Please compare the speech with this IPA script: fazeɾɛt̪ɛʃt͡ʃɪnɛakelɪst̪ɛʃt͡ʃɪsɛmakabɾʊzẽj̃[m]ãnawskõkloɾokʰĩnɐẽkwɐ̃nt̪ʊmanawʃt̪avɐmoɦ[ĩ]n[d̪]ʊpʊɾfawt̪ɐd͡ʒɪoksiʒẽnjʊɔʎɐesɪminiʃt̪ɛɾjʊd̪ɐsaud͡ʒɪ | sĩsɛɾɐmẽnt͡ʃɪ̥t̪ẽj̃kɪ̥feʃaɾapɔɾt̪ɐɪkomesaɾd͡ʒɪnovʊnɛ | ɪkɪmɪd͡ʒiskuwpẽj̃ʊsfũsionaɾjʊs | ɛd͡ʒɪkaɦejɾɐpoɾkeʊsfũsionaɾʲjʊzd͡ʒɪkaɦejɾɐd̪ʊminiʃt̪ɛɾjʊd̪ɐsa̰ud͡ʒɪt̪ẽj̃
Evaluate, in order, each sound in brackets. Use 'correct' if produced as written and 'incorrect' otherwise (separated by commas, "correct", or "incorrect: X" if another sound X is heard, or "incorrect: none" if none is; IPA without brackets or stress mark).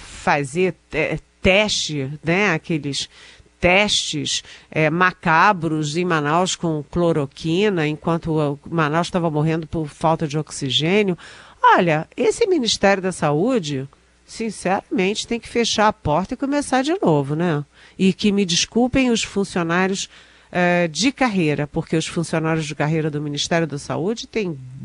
correct, incorrect: ẽ, correct